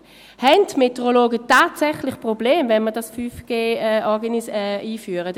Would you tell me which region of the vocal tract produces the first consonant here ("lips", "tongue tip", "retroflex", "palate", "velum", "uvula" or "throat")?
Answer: throat